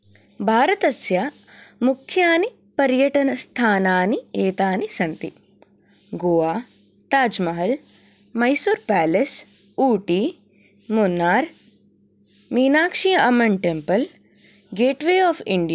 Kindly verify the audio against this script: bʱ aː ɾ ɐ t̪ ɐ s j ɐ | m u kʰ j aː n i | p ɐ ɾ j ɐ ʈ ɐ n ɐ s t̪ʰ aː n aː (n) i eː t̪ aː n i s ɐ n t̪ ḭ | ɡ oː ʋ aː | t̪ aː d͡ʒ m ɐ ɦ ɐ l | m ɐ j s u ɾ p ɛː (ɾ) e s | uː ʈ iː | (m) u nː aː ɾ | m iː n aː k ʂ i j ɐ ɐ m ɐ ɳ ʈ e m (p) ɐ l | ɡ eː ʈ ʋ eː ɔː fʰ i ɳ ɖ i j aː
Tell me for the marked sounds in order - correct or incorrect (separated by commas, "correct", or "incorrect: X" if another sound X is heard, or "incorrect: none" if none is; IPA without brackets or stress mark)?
correct, incorrect: l, correct, correct